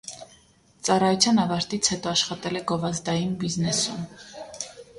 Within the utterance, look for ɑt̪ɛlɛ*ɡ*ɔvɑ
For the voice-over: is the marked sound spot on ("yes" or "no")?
yes